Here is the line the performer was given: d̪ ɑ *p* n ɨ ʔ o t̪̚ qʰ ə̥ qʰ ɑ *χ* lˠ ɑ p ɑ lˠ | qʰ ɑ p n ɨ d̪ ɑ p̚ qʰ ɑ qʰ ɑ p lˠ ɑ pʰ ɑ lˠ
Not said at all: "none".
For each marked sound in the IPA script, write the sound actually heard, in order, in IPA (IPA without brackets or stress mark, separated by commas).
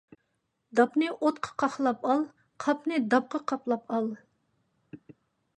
p, χ